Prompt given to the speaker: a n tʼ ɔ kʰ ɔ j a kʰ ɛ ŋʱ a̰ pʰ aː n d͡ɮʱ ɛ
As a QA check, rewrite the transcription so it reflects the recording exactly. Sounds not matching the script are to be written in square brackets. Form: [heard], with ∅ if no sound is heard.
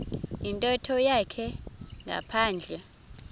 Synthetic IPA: [i] n tʼ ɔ [tʰ] ɔ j a kʰ ɛ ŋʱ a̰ pʰ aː n d͡ɮʱ ɛ

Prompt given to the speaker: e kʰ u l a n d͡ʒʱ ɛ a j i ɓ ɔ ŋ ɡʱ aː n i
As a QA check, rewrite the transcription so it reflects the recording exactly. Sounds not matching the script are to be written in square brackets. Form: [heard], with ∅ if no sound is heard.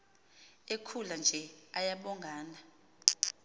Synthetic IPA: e kʰ u l a n d͡ʒʱ ɛ a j [a] ɓ ɔ ŋ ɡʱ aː n [a]

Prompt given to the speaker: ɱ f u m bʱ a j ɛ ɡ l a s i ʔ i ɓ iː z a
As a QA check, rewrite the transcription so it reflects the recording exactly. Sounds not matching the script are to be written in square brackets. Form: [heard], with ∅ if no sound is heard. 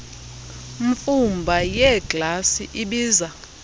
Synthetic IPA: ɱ f u m bʱ a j ɛ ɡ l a s i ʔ i ɓ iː z a

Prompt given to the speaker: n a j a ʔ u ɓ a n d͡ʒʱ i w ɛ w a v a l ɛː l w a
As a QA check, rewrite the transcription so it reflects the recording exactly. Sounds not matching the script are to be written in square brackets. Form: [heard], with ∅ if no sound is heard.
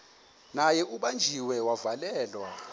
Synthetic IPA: n a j [ɛ] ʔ u ɓ a n d͡ʒʱ i w ɛ w a v a l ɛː l w a

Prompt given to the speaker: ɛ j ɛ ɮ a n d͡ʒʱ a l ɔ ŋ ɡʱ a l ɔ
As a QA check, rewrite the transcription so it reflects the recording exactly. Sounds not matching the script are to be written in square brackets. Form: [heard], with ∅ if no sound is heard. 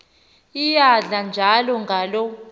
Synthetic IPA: [i] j [a] ɮ a n d͡ʒʱ a l ɔ ŋ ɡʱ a l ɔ

